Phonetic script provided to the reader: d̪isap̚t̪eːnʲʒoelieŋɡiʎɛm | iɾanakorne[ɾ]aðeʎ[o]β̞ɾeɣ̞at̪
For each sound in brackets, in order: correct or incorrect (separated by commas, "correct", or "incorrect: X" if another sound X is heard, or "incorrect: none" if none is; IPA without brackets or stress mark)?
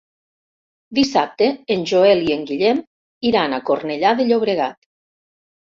incorrect: ʎ, correct